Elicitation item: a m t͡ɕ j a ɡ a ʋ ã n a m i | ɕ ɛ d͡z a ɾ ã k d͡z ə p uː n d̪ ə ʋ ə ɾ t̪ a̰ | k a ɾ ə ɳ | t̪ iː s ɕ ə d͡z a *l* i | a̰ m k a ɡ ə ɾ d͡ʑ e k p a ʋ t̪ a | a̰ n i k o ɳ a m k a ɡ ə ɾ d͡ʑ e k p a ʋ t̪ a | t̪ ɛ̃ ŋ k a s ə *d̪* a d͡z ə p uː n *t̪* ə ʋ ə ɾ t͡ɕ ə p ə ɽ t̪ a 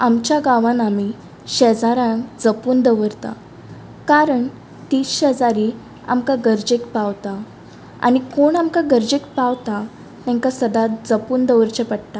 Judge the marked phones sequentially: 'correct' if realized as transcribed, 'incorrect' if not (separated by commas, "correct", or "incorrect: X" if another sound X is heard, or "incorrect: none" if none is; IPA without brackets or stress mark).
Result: incorrect: ɾ, correct, incorrect: d̪